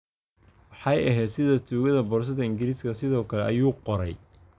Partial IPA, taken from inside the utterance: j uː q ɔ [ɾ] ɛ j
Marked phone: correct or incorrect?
correct